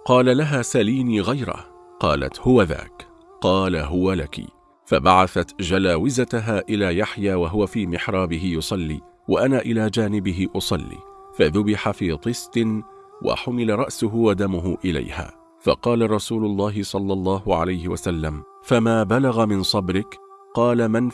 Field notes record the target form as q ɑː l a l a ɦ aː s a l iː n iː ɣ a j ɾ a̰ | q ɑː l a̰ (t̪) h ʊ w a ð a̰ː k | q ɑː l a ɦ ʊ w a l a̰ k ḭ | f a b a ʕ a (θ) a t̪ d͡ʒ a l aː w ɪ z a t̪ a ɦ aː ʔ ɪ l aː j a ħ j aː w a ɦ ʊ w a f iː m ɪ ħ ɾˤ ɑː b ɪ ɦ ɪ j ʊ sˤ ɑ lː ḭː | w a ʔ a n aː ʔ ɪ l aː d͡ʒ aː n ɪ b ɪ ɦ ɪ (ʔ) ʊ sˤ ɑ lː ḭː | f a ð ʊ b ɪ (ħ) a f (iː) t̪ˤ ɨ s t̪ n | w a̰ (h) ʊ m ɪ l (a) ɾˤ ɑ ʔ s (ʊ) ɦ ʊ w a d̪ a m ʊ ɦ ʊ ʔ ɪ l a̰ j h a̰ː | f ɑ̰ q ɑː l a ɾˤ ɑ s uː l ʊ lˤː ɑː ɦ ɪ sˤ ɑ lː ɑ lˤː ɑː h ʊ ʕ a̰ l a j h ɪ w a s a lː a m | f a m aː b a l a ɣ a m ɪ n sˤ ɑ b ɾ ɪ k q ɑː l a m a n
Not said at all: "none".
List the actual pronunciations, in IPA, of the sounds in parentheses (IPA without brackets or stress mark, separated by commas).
t̪, θ, ʔ, ħ, iː, ħ, a, ʊ